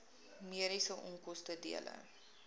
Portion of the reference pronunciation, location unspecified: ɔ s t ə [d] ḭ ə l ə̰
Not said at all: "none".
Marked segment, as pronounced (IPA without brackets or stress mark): d